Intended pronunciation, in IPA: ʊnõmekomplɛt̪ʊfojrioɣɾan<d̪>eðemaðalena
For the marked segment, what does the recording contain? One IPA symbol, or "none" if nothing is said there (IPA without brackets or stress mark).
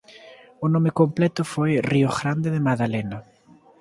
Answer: d̪